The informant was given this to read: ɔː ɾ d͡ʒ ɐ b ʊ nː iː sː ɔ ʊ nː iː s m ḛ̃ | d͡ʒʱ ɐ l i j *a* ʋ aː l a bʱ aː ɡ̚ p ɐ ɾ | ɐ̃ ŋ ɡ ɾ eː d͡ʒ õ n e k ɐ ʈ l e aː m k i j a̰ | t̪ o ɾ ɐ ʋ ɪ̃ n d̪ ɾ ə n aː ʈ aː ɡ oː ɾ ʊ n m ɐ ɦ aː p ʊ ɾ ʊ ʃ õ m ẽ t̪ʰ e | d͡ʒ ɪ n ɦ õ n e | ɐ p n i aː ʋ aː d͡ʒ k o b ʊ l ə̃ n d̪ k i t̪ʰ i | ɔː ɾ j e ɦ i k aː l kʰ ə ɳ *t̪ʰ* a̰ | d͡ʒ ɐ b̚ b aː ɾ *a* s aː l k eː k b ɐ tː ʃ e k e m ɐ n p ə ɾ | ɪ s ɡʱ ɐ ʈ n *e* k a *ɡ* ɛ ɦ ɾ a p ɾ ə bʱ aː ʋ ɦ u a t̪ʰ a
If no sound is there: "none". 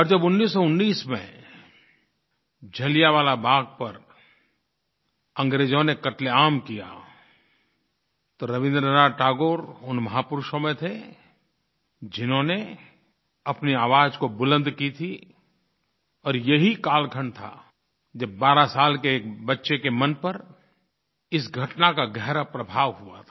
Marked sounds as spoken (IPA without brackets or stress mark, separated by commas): a, t̪ʰ, a, a, ɡ